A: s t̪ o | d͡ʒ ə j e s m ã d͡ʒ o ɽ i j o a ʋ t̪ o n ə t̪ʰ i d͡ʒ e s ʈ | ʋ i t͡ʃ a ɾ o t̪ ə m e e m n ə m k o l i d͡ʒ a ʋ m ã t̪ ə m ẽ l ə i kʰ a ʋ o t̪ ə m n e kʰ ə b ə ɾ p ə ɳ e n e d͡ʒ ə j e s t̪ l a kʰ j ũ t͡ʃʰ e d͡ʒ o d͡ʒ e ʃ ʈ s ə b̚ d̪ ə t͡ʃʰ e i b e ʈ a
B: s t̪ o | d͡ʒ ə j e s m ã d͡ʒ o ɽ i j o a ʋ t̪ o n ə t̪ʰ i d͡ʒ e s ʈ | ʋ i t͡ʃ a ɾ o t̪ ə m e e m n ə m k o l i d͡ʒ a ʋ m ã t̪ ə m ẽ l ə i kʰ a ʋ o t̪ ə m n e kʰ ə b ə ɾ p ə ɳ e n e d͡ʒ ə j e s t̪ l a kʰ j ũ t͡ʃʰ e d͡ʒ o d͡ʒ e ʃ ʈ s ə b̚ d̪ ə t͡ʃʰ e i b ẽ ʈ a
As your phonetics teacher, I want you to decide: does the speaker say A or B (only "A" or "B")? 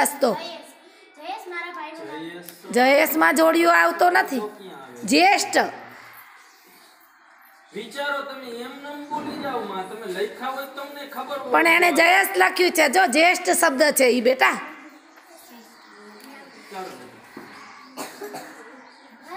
A